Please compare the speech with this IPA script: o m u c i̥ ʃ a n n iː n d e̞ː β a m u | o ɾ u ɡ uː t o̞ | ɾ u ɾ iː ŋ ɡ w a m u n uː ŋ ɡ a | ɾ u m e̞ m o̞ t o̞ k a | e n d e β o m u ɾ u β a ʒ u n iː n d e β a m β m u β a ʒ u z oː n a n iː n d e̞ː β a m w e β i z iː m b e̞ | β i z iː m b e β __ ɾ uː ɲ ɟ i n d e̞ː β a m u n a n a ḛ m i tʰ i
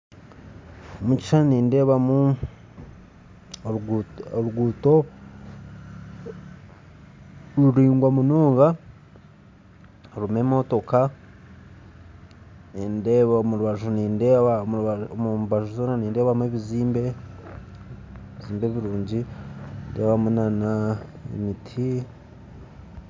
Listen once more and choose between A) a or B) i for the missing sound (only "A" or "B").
B